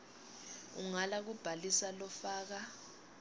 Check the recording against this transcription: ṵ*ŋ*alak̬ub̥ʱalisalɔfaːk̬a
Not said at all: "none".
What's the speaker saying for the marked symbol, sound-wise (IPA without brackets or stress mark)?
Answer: ŋ